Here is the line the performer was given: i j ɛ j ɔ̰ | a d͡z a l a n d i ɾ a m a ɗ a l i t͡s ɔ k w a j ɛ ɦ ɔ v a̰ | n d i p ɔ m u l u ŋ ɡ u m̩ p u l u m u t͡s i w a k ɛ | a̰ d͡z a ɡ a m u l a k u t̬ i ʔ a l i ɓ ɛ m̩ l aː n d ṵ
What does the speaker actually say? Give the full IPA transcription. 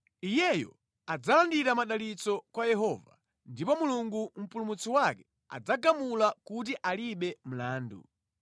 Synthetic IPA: i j ɛ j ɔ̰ | a d͡z a l a n d i ɾ a m a ɗ a l i t͡s ɔ k w a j ɛ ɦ ɔ v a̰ | n d i p ɔ m u l u ŋ ɡ u m̩ p u l u m u t͡s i w a k ɛ | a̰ d͡z a ɡ a m u l a k u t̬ i ʔ a l i ɓ ɛ m̩ l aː n d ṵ